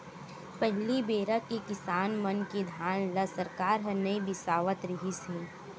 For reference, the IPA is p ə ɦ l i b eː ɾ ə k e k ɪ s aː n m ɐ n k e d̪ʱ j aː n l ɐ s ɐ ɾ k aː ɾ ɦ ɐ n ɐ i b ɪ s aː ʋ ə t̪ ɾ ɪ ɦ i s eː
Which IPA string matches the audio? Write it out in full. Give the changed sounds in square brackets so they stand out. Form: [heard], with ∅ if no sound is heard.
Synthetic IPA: p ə ɦ l i b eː ɾ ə k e k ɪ s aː n m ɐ n k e d̪ʱ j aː n l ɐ s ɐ ɾ k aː ɾ ɦ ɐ n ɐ i b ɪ s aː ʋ ə t̪ ɾ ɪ ɦ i s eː

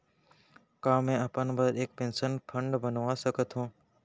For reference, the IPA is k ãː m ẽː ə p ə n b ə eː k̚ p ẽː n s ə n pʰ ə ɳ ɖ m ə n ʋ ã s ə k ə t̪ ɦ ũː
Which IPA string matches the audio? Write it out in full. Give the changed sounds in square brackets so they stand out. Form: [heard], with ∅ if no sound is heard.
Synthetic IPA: k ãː m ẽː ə p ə n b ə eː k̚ p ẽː n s ə n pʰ ə ɳ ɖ [b] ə n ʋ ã s ə k ə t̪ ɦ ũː

